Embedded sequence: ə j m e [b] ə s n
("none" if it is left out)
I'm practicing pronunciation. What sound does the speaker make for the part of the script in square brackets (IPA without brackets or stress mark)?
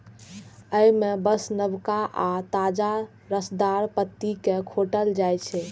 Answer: b